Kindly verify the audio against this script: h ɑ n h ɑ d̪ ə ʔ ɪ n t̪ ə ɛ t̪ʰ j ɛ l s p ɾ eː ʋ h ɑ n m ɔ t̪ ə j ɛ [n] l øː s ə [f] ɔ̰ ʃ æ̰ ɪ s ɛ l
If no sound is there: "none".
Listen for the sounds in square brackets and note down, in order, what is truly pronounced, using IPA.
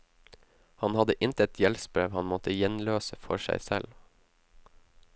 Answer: n, f

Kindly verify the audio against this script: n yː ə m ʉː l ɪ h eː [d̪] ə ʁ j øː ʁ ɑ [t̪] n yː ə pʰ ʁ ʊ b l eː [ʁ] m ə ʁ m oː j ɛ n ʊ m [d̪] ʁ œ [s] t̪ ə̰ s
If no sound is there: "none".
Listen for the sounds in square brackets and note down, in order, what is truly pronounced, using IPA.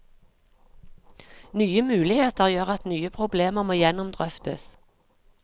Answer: t̪, t̪, none, d̪, f

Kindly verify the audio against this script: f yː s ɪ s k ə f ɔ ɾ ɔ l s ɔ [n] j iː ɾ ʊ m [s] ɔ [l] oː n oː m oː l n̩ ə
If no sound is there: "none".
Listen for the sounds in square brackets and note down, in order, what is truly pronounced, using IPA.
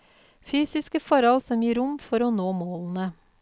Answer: m, f, ɾ

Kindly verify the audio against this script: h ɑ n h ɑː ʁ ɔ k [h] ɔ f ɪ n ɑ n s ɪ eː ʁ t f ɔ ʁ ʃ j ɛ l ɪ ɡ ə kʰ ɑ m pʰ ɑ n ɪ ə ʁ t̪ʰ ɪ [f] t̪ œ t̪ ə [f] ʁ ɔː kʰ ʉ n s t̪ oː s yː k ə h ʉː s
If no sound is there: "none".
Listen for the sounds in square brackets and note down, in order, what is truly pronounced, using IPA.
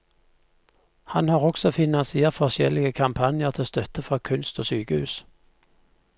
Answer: s, s, f

